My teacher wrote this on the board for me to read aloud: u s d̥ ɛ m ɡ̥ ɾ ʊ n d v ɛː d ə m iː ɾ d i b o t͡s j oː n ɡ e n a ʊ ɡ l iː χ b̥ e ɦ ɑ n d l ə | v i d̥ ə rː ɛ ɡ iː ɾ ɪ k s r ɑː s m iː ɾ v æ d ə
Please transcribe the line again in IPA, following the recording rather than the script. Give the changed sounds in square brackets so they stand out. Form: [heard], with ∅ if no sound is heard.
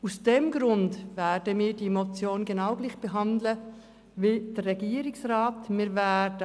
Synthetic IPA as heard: u s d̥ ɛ m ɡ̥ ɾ ʊ n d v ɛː d ə m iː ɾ d i [m] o t͡s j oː n ɡ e n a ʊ ɡ l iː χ b̥ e ɦ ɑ n d l ə | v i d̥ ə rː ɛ ɡ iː ɾ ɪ k s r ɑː [t] m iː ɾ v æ d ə